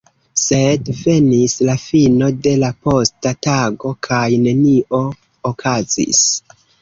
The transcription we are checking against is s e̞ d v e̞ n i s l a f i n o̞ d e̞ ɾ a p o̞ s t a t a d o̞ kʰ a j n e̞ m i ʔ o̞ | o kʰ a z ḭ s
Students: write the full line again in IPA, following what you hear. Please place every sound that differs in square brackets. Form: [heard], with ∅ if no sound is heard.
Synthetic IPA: s e̞ d v e̞ n i s l a f i n o̞ d e̞ [l] a p o̞ s t a t a [ɡ] o̞ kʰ a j n e̞ [n] i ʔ o̞ | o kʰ a z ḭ s